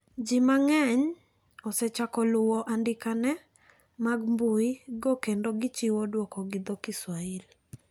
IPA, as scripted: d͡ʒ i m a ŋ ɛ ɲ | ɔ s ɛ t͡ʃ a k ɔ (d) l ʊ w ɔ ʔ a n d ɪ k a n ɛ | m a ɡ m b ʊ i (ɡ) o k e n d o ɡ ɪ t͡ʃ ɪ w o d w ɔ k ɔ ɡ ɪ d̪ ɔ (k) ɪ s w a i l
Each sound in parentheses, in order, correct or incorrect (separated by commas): incorrect, correct, correct